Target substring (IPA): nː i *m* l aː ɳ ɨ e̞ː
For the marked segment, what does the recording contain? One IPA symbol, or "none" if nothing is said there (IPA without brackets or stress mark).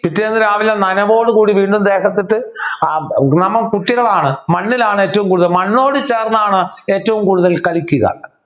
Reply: none